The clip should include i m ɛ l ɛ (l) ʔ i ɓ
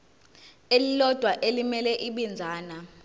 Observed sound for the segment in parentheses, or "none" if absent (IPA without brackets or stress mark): none